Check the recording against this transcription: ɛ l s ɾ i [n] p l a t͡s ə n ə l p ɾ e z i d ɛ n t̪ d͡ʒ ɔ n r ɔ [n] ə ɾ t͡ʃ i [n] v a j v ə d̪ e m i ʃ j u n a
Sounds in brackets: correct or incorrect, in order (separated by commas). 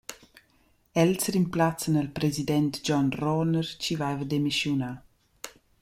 incorrect, correct, incorrect